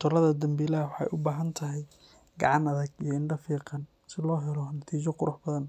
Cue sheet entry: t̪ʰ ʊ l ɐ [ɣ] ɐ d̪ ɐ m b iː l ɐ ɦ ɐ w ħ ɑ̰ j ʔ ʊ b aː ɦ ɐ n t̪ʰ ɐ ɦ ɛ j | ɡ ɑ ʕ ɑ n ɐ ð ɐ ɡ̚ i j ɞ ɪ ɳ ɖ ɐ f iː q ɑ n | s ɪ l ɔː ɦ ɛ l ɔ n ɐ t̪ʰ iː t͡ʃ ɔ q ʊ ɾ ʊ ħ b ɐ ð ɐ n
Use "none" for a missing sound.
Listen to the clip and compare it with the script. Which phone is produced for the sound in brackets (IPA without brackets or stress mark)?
ð